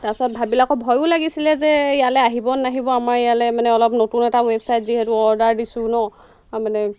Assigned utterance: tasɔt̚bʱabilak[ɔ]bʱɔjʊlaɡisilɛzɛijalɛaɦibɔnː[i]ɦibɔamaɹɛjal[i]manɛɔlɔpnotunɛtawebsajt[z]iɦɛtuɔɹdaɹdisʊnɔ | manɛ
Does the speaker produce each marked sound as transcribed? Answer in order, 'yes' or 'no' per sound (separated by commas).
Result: yes, no, no, yes